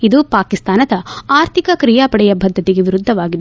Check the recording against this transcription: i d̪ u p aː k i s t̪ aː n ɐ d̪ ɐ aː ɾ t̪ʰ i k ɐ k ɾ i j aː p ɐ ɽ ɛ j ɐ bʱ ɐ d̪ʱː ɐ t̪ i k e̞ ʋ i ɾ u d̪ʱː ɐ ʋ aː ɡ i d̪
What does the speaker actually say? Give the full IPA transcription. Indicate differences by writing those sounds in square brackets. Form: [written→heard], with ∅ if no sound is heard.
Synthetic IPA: i d̪ u p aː k i s t̪ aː n ɐ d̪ ɐ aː ɾ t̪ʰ i k ɐ k ɾ i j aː p ɐ ɽ ɛ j ɐ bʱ ɐ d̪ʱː ɐ t̪ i [k→ɡ] e̞ ʋ i ɾ u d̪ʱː ɐ ʋ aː ɡ i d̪

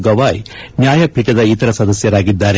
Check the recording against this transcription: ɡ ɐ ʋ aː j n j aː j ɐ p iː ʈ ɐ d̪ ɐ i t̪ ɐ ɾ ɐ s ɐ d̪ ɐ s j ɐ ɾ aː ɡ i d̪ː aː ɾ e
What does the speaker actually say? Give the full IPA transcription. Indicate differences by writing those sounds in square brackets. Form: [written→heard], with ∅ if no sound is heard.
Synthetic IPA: ɡ ɐ ʋ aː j n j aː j ɐ p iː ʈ ɐ d̪ ɐ i t̪ ɐ ɾ ɐ s ɐ d̪ ɐ s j ɐ ɾ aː ɡ i d̪ː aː ɾ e

